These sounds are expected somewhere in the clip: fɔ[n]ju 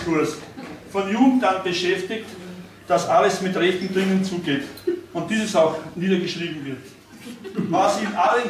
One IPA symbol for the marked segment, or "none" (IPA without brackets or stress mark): n